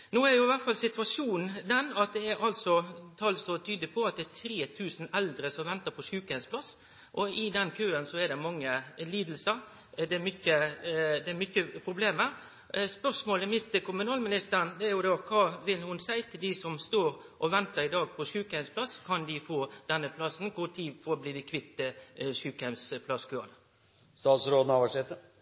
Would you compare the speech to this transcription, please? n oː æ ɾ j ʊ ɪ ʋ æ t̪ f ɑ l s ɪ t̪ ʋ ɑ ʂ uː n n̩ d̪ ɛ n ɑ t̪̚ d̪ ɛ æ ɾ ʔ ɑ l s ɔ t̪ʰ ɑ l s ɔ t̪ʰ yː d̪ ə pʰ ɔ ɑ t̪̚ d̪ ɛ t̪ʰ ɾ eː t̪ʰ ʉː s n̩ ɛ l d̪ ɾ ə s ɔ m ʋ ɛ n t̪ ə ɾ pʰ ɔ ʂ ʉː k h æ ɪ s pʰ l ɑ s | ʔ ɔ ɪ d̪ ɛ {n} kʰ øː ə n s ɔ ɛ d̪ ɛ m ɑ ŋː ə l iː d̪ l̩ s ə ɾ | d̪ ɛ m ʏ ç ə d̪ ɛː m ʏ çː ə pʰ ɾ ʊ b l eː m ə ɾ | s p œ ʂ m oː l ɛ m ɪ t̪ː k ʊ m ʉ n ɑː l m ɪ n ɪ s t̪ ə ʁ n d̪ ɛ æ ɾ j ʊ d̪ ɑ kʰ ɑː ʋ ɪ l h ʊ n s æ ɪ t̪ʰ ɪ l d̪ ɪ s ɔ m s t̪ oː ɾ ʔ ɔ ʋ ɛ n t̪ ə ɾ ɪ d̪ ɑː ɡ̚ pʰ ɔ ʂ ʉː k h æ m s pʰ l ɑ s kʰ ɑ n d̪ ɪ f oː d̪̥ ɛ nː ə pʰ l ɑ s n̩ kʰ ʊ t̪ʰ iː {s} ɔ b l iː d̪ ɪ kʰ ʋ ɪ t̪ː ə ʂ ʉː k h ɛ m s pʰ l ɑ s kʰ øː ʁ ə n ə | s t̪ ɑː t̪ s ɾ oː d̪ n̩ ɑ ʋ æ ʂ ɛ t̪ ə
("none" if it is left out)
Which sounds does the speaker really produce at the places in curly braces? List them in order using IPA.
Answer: n, f

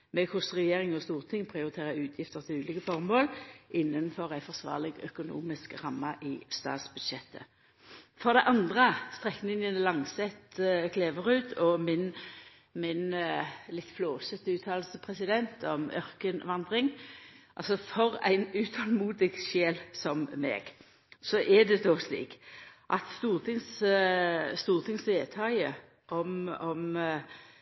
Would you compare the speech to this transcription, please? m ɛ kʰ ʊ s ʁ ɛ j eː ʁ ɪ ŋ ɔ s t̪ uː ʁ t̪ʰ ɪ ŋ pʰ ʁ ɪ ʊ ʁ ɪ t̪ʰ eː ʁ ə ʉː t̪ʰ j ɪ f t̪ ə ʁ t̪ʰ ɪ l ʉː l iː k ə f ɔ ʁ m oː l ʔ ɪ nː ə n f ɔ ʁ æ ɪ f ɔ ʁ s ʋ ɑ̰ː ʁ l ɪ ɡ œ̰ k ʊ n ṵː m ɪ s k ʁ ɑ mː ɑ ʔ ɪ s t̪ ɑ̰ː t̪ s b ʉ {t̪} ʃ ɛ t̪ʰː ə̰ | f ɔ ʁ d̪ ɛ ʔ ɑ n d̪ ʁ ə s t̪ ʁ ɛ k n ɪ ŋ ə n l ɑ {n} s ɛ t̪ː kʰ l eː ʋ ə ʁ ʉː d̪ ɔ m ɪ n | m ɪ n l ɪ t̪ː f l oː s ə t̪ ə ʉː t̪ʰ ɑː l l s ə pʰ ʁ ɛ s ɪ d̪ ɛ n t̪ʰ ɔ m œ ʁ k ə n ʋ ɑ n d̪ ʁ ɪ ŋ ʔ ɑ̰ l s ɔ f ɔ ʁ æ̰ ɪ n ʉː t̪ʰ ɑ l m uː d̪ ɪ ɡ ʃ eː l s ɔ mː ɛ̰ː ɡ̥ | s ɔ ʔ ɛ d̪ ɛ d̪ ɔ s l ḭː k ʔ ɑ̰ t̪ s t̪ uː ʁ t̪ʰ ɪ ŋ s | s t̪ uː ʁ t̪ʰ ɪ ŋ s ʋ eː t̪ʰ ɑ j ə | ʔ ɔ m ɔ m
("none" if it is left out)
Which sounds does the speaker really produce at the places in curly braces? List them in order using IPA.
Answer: d̪, ŋ

